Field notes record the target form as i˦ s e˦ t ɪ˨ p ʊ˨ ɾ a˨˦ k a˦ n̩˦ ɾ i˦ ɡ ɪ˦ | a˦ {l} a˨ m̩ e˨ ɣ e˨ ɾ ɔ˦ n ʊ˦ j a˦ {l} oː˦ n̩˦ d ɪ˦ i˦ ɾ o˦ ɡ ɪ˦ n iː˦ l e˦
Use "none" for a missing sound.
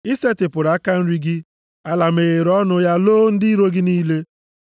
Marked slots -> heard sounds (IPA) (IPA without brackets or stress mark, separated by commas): l, l